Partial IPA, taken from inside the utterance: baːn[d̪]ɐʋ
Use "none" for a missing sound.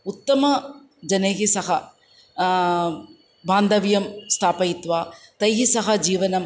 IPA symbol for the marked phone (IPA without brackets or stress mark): d̪